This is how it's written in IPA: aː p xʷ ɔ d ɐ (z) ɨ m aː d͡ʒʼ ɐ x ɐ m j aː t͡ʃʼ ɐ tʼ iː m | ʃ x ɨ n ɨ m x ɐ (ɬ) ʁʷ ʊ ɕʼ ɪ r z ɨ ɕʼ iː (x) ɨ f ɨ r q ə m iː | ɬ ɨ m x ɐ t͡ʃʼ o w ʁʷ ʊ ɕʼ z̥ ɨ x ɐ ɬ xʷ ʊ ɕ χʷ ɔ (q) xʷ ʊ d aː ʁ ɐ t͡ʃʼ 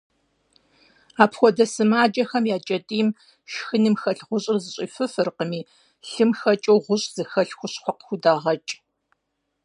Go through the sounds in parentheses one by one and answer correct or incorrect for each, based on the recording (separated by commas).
incorrect, correct, incorrect, correct